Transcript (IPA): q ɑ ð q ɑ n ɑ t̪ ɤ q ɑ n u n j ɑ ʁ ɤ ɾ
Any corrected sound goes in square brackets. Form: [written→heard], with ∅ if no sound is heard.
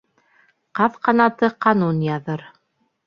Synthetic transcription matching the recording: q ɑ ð q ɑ n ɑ t̪ ɤ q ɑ n u n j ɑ [ʁ→ð] ɤ ɾ